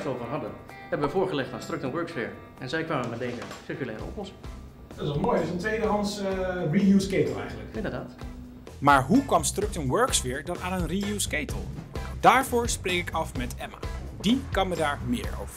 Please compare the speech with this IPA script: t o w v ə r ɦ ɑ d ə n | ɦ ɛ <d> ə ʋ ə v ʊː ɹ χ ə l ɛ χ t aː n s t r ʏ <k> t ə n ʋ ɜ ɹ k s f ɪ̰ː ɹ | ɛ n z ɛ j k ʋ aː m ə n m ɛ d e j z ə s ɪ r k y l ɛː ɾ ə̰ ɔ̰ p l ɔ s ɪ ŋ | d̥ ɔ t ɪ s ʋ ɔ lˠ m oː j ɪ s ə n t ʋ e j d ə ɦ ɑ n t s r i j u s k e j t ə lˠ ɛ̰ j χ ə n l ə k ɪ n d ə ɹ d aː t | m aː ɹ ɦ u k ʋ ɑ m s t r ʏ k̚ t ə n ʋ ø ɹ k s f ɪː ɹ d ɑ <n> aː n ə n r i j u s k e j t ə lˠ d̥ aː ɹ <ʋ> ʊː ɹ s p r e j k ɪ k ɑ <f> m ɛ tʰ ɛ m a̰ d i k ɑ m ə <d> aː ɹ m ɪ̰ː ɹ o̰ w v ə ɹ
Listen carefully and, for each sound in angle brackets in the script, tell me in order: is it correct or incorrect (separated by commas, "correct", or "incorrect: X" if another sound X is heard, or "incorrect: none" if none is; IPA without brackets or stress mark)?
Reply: incorrect: b, correct, correct, incorrect: v, correct, correct